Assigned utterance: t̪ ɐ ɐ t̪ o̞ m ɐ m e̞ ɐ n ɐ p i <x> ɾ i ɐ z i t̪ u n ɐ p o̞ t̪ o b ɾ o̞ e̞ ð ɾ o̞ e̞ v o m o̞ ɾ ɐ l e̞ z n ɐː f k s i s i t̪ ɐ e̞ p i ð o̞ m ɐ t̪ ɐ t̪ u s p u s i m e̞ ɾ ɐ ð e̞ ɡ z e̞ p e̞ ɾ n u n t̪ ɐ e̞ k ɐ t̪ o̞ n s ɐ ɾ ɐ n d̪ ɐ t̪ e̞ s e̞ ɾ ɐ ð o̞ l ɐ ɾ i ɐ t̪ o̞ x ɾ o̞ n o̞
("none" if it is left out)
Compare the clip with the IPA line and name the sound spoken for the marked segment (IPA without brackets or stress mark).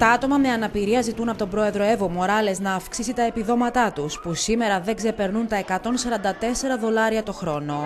none